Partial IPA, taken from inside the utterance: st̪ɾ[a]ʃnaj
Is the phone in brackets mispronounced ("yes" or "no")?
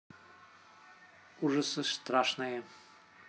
no